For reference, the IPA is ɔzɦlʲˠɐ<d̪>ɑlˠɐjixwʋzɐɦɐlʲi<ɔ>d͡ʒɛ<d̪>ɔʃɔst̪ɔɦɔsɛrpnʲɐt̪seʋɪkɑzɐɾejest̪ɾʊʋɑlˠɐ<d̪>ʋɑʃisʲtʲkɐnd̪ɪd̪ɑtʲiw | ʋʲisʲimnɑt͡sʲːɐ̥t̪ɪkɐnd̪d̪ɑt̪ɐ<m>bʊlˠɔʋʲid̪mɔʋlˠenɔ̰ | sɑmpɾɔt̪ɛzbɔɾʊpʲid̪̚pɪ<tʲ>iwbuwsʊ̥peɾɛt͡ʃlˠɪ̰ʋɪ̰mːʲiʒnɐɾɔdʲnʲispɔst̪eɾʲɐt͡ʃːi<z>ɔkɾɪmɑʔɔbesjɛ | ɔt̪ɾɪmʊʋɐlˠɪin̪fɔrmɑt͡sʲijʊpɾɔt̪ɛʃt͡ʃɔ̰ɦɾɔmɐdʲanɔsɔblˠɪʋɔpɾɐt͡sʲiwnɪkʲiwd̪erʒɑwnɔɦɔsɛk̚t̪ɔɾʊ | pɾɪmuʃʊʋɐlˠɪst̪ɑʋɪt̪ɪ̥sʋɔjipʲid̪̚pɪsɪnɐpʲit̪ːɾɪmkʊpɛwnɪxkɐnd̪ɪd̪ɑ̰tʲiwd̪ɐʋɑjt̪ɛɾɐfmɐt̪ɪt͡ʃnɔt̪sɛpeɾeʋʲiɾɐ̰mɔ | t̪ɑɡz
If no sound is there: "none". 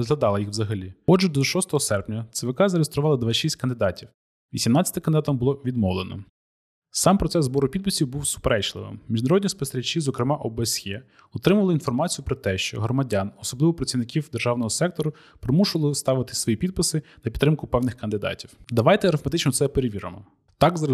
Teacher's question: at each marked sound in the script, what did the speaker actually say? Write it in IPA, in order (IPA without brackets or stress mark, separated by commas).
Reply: d̪, ɔ, d̪, d̪, m, sʲ, z